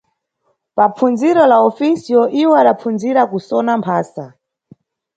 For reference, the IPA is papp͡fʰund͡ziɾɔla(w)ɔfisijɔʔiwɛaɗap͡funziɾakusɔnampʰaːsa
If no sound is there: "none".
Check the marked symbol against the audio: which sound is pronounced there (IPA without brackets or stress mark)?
none